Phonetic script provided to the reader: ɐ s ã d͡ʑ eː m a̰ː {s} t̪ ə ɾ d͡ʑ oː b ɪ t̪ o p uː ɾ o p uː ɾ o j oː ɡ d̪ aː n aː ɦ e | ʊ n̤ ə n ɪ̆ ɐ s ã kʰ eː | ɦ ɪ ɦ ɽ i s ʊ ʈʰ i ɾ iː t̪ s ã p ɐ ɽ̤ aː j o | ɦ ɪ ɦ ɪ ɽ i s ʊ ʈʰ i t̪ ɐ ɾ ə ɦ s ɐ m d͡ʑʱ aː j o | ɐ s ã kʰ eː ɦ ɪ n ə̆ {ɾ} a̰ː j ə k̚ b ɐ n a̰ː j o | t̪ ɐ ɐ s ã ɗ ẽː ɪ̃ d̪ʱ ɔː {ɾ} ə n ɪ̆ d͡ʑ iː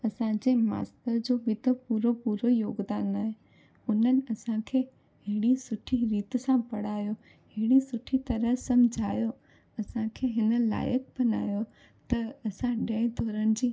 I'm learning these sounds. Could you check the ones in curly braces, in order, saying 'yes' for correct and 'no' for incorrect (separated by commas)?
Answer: yes, no, yes